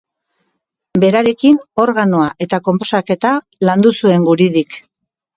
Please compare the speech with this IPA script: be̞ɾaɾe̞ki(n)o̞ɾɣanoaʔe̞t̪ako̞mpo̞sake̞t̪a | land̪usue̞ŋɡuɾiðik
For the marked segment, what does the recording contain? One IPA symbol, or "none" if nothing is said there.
n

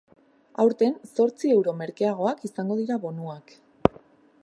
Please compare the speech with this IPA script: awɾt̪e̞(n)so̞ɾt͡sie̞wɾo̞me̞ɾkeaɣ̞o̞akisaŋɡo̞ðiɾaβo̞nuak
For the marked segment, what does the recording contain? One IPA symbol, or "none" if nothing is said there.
n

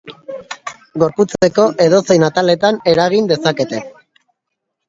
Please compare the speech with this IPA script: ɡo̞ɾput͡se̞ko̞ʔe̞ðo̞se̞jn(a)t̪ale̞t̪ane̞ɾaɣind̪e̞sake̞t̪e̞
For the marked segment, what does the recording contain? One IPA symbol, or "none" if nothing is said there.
a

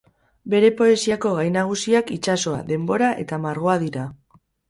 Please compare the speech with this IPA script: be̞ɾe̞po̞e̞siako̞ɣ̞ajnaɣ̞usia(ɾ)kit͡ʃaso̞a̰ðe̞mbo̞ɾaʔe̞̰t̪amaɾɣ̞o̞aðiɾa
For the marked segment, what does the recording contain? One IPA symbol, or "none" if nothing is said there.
none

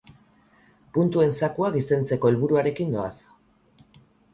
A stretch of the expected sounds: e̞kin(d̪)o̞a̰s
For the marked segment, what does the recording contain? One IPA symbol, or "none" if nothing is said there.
d̪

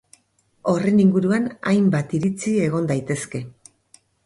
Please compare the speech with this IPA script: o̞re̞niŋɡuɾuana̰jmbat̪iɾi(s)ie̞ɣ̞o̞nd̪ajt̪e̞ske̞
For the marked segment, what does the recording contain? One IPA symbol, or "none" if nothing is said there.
t͡s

